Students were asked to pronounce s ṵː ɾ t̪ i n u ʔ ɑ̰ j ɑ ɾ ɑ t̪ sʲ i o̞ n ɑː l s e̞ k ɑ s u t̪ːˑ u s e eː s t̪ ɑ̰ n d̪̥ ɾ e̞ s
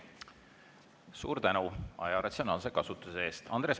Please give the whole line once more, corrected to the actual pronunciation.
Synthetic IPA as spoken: s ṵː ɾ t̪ æ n u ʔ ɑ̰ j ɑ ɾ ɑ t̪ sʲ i o̞ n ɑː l s e̞ k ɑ s u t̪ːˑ u s e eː s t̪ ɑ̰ n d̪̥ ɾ e̞ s